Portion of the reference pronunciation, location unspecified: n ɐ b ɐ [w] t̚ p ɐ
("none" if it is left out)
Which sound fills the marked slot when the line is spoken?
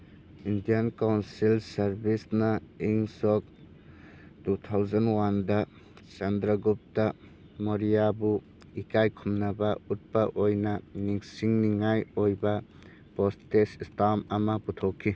u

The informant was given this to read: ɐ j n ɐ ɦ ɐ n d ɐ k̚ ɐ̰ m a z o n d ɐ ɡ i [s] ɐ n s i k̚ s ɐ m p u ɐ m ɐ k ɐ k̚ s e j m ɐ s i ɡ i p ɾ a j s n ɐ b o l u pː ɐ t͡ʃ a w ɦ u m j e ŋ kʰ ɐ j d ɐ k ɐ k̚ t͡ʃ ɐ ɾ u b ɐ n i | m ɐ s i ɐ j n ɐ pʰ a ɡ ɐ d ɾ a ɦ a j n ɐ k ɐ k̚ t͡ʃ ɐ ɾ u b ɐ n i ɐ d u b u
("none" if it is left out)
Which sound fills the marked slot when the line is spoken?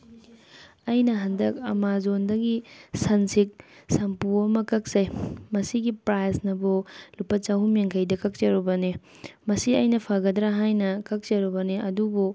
s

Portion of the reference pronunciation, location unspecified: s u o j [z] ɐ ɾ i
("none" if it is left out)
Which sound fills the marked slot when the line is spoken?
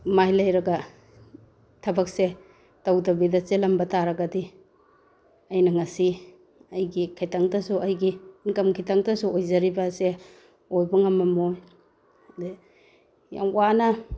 z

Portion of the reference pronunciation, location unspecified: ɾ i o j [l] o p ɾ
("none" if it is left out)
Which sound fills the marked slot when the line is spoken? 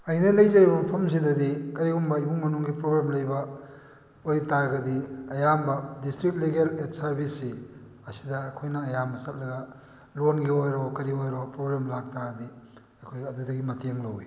ɾ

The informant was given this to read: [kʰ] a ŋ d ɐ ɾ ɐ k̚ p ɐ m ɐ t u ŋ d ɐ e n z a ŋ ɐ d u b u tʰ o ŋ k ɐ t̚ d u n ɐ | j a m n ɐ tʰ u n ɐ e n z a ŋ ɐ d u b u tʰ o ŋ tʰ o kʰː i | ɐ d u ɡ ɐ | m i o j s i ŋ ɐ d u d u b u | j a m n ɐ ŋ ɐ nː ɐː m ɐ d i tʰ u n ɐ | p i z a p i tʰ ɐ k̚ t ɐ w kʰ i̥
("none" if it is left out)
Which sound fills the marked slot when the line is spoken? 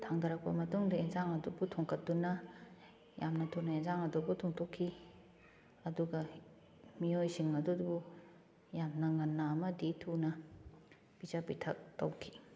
tʰ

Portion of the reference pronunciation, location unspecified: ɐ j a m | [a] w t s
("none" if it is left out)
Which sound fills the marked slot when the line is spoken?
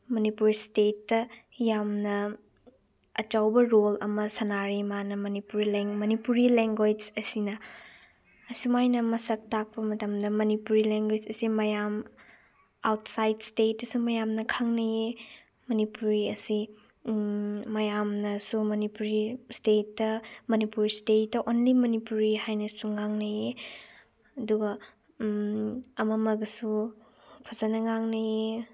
a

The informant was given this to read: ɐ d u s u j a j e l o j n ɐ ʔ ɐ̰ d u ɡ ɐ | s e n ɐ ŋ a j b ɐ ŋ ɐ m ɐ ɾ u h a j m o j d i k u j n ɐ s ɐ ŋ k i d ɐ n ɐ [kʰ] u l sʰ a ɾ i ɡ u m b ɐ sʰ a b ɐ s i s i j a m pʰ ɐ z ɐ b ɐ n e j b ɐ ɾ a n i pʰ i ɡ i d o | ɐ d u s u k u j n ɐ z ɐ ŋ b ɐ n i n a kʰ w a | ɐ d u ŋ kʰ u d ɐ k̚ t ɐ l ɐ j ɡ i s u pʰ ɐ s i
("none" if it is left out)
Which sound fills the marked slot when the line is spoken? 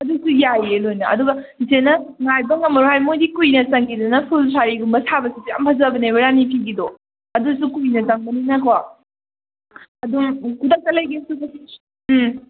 pʰ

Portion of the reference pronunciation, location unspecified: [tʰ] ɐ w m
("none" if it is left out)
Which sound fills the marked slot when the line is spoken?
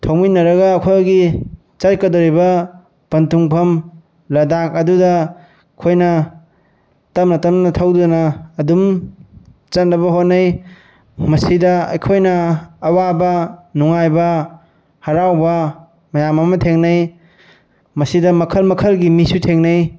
tʰ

